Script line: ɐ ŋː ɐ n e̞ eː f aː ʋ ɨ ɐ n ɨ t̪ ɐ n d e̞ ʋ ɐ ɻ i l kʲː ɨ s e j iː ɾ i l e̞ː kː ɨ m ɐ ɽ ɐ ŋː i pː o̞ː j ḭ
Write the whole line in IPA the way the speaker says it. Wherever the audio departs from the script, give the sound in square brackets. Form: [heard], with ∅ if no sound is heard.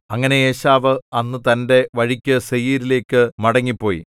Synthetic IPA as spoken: ɐ ŋː ɐ n e̞ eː [ɕ] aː ʋ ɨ ɐ [nː] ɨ t̪ ɐ n d e̞ ʋ ɐ ɻ i [∅] kʲː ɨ s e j iː ɾ i l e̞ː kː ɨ m ɐ ɽ ɐ ŋː i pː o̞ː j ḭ